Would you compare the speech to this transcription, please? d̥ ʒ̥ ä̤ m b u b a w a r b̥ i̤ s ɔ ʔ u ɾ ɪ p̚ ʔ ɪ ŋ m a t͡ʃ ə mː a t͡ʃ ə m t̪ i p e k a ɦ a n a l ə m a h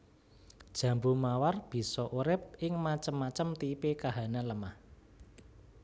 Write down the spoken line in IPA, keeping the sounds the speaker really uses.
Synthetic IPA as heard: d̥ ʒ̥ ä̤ m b u m a w a r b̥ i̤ s ɔ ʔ u ɾ ɪ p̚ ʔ ɪ ŋ m a t͡ʃ ə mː a t͡ʃ ə m t̪ i p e k a ɦ a n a l ə m a h